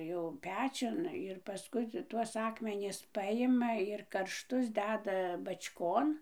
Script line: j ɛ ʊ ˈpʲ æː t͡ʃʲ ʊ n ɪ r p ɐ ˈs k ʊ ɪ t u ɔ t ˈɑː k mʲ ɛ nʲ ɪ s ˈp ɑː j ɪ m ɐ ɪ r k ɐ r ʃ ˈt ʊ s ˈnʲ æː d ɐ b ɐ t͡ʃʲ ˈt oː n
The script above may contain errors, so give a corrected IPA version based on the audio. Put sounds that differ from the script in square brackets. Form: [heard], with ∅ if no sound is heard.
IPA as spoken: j ɛ ʊ ˈpʲ æː t͡ʃʲ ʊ n ɪ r p ɐ ˈs k ʊ ɪ t u ɔ [s] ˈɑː k mʲ ɛ nʲ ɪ s ˈp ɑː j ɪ m ɐ ɪ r k ɐ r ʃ ˈt ʊ s [ˈdʲ] æː d ɐ b ɐ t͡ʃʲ [ˈk] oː n